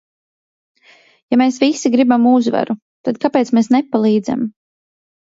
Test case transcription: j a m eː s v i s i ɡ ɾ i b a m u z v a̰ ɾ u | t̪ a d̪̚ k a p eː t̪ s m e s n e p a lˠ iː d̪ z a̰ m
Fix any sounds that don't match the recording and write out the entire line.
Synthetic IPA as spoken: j a m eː s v i s i ɡ ɾ i b a m u z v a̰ ɾ u | t̪ a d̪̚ k a p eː t̪ s m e s n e p a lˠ iː d̪ z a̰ m